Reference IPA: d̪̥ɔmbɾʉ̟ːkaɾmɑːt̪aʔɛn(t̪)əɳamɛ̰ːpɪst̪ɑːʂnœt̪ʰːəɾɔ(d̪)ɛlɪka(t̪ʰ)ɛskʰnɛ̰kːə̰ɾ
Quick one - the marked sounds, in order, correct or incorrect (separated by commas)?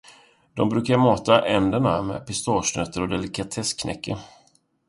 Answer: incorrect, correct, correct